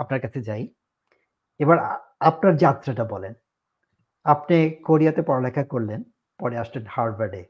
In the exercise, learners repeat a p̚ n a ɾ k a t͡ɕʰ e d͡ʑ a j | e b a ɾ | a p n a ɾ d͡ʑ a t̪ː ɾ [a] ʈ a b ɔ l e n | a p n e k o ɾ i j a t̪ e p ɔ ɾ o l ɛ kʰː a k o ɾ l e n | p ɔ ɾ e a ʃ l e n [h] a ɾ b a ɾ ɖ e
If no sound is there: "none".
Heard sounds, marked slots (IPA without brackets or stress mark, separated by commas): a, h